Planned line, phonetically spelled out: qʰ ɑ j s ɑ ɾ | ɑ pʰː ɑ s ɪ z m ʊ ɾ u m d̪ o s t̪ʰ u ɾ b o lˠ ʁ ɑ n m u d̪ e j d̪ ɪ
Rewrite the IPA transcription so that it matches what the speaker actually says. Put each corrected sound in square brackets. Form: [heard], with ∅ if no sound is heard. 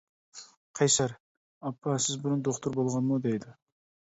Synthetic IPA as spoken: qʰ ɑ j s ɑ ɾ | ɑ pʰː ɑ s ɪ z [b] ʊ ɾ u [n] d̪ o [χ] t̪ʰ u ɾ b o lˠ ʁ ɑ n m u d̪ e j d̪ ɪ